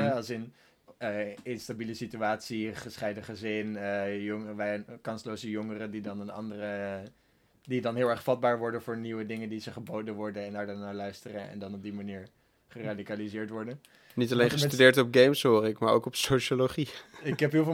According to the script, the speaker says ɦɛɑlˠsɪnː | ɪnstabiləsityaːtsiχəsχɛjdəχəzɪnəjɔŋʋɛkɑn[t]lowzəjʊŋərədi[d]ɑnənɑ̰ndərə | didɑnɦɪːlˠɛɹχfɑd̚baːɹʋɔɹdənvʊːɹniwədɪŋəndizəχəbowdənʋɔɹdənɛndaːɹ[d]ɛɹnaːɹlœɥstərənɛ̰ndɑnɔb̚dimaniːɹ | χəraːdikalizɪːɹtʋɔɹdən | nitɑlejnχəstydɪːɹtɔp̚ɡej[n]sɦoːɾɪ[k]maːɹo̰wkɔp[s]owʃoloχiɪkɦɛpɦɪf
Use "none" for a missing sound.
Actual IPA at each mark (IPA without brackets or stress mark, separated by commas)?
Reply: s, d, d, m, k, s